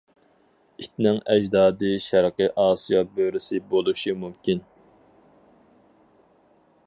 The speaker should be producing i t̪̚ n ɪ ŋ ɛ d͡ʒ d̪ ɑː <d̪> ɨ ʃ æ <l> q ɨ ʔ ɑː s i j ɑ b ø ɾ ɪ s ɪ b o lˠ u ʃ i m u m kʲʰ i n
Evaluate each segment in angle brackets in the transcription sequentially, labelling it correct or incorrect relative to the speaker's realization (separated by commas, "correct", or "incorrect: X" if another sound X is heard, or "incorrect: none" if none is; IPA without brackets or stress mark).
correct, incorrect: ɾ